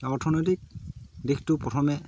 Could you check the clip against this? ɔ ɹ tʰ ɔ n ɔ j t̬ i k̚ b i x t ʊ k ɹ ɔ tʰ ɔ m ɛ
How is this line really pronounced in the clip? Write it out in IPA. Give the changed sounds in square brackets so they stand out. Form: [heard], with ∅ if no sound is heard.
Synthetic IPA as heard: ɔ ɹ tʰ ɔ n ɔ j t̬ i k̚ [d] i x t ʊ [p] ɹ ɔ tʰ ɔ m ɛ